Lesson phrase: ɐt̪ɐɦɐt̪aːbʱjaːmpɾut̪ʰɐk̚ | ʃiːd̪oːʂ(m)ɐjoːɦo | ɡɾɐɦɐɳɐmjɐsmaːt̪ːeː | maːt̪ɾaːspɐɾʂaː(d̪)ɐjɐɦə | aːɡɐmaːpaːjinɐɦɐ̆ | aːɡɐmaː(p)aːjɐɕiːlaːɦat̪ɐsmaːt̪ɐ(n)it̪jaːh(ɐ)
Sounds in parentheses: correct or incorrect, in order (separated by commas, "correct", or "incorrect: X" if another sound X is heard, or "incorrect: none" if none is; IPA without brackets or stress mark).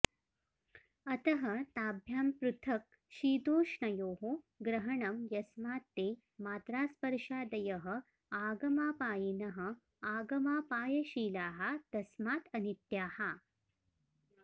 incorrect: ɳ, correct, correct, correct, incorrect: a